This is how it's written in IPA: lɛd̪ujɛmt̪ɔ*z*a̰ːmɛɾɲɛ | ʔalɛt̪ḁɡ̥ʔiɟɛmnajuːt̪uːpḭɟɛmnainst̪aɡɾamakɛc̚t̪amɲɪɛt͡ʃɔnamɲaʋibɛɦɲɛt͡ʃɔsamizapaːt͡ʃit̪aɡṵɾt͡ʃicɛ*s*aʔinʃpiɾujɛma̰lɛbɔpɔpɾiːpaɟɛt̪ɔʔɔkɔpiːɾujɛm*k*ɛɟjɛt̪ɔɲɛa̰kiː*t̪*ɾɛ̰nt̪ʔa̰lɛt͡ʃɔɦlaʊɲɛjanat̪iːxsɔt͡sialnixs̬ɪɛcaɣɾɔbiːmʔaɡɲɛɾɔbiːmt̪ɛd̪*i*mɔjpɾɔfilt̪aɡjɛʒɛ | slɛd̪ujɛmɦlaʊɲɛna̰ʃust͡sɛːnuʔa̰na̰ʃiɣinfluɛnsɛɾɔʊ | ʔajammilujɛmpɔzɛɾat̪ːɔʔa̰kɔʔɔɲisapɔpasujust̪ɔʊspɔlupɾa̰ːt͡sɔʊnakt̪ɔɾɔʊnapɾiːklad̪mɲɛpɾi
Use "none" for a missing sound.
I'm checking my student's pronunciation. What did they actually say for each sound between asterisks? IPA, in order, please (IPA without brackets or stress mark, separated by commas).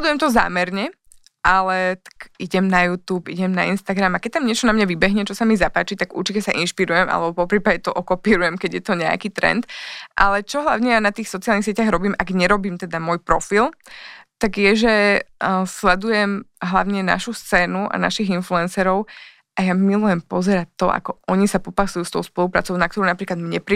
z, s, k, t̪, a